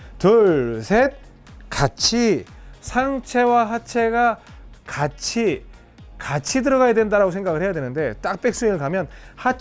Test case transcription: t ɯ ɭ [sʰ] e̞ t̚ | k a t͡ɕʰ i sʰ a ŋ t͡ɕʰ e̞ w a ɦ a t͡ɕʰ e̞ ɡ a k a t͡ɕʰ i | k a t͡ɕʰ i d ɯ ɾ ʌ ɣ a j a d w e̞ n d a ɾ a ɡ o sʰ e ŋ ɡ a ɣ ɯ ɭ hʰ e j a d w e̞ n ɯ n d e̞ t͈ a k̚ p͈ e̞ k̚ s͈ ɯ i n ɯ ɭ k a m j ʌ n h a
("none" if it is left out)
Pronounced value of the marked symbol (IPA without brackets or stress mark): sʰ